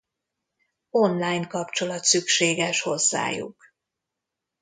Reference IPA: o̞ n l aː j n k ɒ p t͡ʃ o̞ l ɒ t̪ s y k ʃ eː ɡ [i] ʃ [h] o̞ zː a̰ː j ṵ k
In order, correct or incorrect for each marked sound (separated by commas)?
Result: incorrect, correct